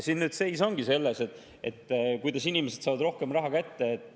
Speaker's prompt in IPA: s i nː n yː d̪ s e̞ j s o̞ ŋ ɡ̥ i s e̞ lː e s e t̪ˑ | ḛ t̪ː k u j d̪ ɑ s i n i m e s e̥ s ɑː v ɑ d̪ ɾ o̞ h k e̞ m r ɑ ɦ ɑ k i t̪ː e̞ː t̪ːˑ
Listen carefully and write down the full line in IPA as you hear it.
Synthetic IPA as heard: s i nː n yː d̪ s e̞ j s o̞ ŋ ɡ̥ i s e̞ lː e s e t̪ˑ | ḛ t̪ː k u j d̪ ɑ s i n i m e s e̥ s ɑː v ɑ d̪ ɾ o̞ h k e̞ m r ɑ ɦ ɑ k æ t̪ː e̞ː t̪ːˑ